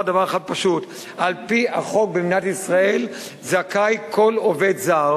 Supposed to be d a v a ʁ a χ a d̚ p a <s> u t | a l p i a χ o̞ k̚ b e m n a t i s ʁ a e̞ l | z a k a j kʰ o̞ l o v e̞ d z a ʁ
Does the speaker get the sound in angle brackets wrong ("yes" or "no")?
yes